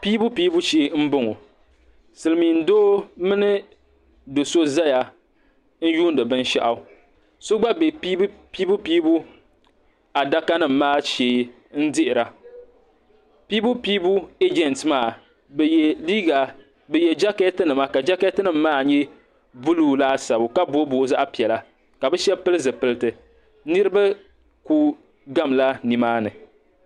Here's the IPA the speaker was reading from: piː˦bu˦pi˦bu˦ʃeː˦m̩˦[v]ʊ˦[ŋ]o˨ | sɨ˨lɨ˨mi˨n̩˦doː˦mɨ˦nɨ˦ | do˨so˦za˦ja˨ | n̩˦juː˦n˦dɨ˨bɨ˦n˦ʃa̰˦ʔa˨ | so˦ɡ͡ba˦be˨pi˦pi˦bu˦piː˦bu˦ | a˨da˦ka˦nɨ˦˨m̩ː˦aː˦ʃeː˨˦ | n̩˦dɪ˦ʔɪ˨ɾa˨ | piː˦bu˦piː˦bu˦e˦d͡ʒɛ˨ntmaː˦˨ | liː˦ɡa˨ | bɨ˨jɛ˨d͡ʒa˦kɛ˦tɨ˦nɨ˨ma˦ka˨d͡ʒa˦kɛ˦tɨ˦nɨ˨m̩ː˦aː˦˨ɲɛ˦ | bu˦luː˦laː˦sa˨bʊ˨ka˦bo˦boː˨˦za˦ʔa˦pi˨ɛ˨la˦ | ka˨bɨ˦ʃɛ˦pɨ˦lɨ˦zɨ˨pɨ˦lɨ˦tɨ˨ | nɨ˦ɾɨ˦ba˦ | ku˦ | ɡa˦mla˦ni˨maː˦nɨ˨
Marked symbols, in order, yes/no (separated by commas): no, yes